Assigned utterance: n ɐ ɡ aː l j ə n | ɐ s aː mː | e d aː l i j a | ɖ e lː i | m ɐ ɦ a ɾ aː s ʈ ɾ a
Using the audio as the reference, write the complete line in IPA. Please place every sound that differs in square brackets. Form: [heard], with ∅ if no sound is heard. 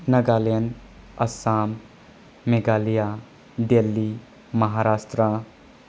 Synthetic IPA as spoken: n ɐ ɡ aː l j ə n | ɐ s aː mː | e [ɡ] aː l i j a | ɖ e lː i | m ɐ ɦ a ɾ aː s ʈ ɾ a

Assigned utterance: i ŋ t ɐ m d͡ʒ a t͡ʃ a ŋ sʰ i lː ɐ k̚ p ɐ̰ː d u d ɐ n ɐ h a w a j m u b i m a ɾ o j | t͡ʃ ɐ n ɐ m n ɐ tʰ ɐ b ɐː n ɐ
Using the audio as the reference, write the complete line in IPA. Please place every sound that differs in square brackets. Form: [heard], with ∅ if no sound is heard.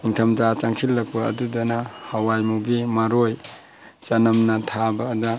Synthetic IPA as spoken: i ŋ [tʰ] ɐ m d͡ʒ a t͡ʃ a ŋ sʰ i lː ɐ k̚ p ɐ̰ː d u d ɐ n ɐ h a w a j m u b i m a ɾ o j | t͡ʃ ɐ n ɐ m n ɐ tʰ [a] b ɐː [d] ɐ

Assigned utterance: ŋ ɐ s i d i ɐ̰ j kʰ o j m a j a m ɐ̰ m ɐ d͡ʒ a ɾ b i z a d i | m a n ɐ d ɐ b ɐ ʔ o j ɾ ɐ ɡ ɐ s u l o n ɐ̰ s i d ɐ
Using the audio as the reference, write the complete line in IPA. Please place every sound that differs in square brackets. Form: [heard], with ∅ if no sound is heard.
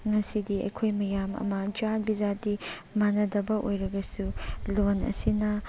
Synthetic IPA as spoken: ŋ ɐ s i d i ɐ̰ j kʰ o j m [ɐ] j a m ɐ̰ m ɐ d͡ʒ a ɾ b i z a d i | m a n ɐ d ɐ b ɐ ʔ o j ɾ ɐ ɡ ɐ s u l o n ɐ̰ s i [n] ɐ

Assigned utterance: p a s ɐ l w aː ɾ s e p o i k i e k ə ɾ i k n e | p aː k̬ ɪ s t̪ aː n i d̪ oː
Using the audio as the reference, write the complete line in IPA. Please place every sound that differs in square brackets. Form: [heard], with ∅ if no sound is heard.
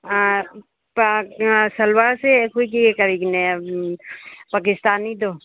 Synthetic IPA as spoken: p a s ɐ l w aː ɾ s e [k] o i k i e k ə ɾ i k n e | p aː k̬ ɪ s t̪ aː n i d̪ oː

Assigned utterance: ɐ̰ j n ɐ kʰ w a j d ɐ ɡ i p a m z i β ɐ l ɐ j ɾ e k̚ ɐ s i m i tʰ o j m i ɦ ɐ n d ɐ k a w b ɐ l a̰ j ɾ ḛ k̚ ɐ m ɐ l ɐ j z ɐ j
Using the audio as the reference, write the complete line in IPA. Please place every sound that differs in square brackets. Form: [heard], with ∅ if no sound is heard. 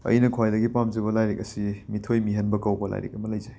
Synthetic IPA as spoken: ɐ̰ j n ɐ kʰ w a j d ɐ ɡ i p a m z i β ɐ l [a] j ɾ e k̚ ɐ s i m i tʰ o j m i ɦ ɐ n [b] ɐ k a w b ɐ l a̰ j ɾ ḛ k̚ ɐ m ɐ l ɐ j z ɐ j

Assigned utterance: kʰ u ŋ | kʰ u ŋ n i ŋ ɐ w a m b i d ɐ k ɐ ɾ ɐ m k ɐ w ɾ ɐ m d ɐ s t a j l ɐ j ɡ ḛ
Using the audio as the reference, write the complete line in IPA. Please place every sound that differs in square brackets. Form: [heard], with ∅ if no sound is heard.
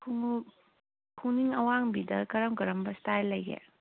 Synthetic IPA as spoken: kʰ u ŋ | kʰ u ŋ n i ŋ ɐ w a [ŋ] b i d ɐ k ɐ ɾ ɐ m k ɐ [∅] ɾ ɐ m [b] ɐ s t a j l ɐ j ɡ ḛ

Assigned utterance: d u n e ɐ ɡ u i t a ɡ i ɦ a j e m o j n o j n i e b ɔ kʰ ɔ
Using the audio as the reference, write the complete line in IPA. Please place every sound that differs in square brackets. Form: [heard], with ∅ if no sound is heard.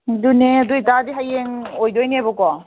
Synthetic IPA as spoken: d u n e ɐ [d] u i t a [d] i ɦ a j e [ŋ] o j [d] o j n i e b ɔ [k] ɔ

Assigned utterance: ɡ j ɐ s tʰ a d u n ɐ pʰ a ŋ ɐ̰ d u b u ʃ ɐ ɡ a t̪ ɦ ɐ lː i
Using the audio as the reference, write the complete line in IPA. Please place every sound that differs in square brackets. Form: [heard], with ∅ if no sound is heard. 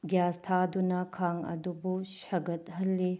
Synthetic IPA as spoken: ɡ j [a] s tʰ a d u n ɐ [kʰ] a ŋ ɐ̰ d u b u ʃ ɐ ɡ [ɐ] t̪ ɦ ɐ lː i

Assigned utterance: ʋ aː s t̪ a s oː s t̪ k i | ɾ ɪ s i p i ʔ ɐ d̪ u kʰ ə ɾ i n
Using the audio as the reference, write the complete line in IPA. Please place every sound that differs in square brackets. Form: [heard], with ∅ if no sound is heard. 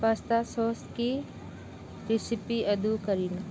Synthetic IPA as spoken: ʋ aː s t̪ a s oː s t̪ k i | ɾ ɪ s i p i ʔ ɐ d̪ u [k] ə ɾ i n

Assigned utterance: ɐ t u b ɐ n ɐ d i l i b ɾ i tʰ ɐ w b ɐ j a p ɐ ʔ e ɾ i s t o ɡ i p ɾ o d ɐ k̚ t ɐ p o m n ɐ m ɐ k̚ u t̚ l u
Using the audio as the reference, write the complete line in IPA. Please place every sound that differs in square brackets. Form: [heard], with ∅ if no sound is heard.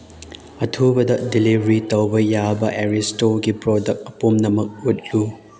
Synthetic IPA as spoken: ɐ [tʰ] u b ɐ [d] ɐ d i l i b ɾ i [t] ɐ w b ɐ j a [b] ɐ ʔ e ɾ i s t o ɡ i p ɾ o d ɐ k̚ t ɐ p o m n ɐ m ɐ k̚ u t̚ l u

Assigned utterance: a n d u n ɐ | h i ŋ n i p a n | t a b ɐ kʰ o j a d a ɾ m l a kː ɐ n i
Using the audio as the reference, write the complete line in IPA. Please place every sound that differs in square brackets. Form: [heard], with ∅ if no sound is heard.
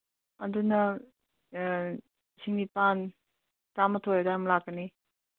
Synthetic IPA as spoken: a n d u n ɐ | [s] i ŋ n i p a n | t a [m] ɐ [tʰ] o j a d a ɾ m l a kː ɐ n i

